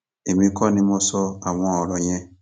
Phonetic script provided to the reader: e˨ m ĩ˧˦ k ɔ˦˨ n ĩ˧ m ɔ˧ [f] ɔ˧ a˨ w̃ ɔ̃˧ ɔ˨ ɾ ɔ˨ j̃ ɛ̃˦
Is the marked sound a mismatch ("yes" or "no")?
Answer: yes